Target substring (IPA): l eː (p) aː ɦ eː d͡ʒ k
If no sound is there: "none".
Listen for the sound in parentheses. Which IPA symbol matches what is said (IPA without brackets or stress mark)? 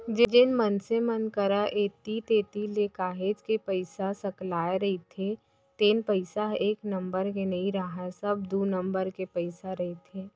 k